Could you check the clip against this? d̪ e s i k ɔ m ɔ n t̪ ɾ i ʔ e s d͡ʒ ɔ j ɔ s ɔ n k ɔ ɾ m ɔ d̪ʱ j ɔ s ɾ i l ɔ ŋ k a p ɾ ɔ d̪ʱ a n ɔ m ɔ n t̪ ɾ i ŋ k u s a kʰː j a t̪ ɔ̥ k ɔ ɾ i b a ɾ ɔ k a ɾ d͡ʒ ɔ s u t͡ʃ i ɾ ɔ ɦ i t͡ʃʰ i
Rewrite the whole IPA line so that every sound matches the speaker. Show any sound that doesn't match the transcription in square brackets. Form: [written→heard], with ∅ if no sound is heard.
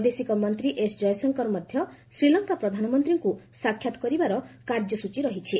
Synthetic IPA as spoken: d̪ e s i k ɔ m ɔ n t̪ ɾ i ʔ e s d͡ʒ ɔ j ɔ s ɔ [n→ŋ] k ɔ ɾ m ɔ d̪ʱ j ɔ s ɾ i l ɔ ŋ k a p ɾ ɔ d̪ʱ a n ɔ m ɔ n t̪ ɾ i ŋ k u s a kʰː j a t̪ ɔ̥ k ɔ ɾ i b a ɾ ɔ k a ɾ d͡ʒ ɔ s u t͡ʃ i ɾ ɔ ɦ i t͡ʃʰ i

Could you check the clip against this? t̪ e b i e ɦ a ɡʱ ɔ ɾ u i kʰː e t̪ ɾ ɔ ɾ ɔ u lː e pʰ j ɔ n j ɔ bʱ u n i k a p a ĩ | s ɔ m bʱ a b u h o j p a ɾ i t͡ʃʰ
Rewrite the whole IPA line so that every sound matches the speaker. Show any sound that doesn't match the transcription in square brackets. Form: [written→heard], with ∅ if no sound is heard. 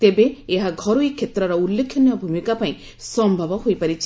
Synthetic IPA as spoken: t̪ e b [i→e] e ɦ a ɡʱ ɔ ɾ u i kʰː e t̪ ɾ ɔ ɾ ɔ u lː e [pʰ→kʰ] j ɔ n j ɔ bʱ u [n→m] i k a p a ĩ | s ɔ m bʱ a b [u→ɔ] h o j p a ɾ i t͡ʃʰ

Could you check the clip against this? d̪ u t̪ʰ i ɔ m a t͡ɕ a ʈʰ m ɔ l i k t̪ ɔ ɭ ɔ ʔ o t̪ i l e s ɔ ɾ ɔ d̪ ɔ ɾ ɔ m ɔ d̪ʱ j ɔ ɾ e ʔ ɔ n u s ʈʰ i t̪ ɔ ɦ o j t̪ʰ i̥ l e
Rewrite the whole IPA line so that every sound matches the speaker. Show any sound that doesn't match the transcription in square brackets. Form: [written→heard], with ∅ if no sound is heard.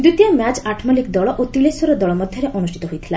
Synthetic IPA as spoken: d̪ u [t̪ʰ→t̪] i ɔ m a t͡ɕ a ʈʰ m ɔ l i k [t̪→d̪] ɔ ɭ ɔ ʔ o t̪ i l e s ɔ ɾ ɔ d̪ ɔ [ɾ→ɭ] ɔ m ɔ d̪ʱ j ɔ ɾ e ʔ ɔ n u s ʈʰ i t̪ ɔ ɦ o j t̪ʰ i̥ l [e→a]

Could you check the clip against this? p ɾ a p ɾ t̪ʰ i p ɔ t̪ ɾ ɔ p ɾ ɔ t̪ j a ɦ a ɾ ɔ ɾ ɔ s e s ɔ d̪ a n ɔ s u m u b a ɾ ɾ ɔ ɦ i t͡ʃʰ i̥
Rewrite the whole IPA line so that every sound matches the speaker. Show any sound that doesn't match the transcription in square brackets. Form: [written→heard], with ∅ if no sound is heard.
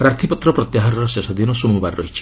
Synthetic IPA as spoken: p ɾ a [p→∅] ɾ t̪ʰ i p ɔ t̪ ɾ ɔ p ɾ ɔ t̪ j a ɦ a ɾ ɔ ɾ ɔ s e s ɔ d̪ [a→i] n ɔ s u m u b a ɾ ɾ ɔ ɦ i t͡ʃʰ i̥

